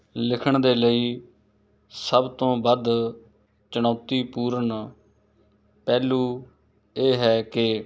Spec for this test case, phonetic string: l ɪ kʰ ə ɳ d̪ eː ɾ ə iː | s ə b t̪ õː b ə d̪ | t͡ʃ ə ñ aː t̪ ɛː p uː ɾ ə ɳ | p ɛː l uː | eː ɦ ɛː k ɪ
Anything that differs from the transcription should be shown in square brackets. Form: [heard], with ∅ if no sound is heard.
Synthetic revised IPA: l ɪ kʰ ə ɳ d̪ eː [l] ə iː | s ə b t̪ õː b ə d̪ | t͡ʃ ə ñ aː t̪ [iː] p uː ɾ ə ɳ | p ɛː l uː | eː ɦ ɛː k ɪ